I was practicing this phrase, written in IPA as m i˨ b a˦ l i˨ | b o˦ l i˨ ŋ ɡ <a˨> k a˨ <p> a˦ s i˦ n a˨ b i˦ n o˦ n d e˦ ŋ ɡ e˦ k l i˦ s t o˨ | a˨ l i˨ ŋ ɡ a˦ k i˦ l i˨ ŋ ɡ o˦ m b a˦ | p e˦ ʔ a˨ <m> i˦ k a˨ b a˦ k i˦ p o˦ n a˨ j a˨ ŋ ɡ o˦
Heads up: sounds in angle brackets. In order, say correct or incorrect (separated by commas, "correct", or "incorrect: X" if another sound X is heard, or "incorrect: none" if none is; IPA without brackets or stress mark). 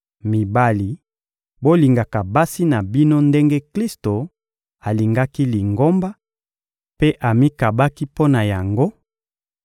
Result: correct, incorrect: b, correct